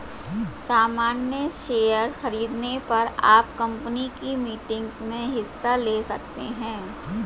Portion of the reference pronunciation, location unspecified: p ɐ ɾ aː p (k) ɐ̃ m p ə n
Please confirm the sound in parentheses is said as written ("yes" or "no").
yes